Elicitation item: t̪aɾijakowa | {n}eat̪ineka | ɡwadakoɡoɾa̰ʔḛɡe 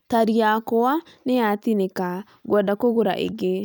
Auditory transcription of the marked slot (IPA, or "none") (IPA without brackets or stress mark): n